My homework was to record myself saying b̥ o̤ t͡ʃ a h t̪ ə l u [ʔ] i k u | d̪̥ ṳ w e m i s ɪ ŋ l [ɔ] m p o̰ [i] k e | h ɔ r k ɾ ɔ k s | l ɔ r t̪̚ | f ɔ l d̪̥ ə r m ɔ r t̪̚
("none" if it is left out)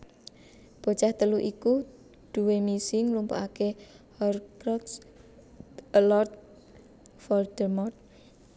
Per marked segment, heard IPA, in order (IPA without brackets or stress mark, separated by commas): ʔ, u, a